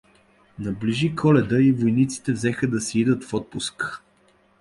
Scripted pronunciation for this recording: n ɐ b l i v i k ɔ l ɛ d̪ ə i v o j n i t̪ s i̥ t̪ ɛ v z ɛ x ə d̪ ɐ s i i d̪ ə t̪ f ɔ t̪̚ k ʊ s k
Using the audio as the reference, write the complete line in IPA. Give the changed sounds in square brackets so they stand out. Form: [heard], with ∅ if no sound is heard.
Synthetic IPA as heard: n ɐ b l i [ʒ] i k ɔ l ɛ d̪ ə i v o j n i t̪ s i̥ t̪ ɛ v z ɛ x ə d̪ ɐ s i i d̪ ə t̪ f ɔ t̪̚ [p] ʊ s k